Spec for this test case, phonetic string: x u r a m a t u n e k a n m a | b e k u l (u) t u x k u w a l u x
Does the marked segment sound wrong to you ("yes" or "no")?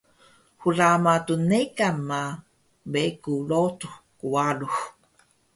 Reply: yes